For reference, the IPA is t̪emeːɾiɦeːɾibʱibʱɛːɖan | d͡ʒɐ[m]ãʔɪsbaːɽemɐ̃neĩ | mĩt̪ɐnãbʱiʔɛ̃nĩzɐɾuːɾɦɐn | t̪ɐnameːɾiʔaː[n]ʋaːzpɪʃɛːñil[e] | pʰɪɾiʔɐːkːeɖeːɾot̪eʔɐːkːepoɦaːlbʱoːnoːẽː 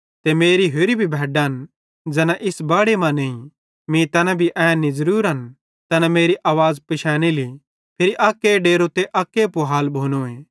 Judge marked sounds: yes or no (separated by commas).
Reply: no, no, no